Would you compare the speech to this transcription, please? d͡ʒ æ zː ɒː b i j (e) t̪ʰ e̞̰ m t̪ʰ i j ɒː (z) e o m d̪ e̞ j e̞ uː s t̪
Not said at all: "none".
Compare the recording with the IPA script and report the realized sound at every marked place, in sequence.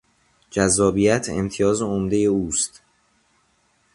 æ, z

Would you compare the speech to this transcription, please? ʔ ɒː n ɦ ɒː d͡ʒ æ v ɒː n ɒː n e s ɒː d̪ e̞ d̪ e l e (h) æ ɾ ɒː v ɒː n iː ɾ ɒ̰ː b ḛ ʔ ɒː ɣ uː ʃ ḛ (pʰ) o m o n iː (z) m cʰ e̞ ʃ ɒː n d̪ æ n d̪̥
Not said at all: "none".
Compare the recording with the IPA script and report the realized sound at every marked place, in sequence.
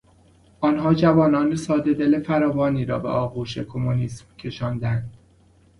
f, kʰ, s

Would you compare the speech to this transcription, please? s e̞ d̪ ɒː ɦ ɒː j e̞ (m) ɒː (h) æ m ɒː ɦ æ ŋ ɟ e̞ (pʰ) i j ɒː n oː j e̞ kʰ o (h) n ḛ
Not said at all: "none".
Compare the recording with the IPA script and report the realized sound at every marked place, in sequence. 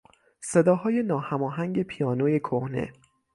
n, h, pʰ, h

